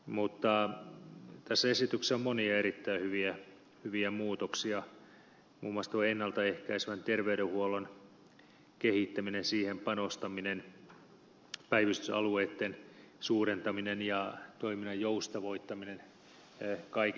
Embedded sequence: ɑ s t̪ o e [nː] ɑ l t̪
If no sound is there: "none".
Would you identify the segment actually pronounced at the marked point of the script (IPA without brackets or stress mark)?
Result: nː